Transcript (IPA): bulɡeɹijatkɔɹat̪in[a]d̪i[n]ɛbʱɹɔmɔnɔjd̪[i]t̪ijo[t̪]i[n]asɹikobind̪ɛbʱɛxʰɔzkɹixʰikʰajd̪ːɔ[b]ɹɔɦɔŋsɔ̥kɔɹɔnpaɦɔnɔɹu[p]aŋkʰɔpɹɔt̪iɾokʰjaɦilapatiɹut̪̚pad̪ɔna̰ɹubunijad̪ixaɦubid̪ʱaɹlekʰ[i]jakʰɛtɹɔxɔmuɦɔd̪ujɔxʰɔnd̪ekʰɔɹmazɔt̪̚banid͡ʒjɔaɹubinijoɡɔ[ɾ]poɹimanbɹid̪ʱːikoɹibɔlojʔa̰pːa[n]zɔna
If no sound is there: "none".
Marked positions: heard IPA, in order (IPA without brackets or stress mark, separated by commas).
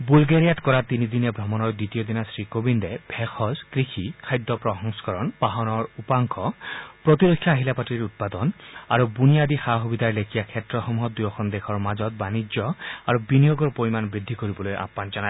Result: i, n, i, d̪, n, p, p, i, ɹ, n